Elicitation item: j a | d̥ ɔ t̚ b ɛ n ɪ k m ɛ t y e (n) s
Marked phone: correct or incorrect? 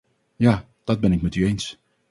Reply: correct